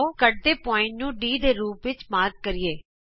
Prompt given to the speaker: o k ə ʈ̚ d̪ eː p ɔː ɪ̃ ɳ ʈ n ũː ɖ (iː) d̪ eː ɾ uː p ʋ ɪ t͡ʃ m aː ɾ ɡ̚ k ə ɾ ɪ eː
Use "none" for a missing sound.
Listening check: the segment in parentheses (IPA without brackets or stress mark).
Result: iː